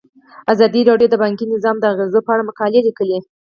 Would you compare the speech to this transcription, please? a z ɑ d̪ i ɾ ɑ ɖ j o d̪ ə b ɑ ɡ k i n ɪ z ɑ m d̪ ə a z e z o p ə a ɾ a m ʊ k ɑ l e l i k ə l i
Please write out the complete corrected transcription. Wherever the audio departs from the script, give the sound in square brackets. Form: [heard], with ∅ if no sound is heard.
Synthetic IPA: a z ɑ d̪ i ɾ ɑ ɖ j o d̪ ə b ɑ [ŋ] k i n ɪ z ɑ m d̪ ə a [ɣ] e z o p ə a [ɽ] a m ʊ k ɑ l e l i k ə l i